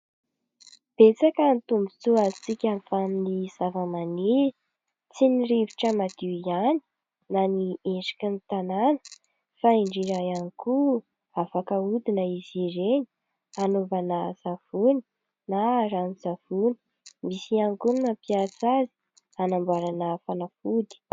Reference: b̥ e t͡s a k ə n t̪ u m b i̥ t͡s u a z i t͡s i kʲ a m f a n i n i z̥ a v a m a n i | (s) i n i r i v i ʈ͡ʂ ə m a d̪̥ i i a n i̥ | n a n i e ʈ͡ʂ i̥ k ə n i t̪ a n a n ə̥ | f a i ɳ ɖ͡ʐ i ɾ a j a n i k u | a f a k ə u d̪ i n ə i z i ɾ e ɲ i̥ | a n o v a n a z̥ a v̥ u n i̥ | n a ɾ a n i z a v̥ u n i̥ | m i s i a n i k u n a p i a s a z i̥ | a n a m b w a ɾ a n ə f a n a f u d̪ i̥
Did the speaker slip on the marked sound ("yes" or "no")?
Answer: yes